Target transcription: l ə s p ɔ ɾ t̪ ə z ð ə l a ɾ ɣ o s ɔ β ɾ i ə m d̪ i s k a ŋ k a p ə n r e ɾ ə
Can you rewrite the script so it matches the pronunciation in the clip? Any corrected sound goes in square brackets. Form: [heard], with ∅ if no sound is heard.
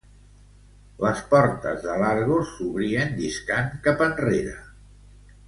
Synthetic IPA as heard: l ə s p ɔ ɾ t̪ ə z ð ə l a ɾ ɣ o s [u] β ɾ i ə [n] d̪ i s k a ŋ k a p ə n r e ɾ ə